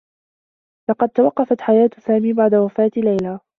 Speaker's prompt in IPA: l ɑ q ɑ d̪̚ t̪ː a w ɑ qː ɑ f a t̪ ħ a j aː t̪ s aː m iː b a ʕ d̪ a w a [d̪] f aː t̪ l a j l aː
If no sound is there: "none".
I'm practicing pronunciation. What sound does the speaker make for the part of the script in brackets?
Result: none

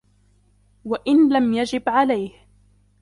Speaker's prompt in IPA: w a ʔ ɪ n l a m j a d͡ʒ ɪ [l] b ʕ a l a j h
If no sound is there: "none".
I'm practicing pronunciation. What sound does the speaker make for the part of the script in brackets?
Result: none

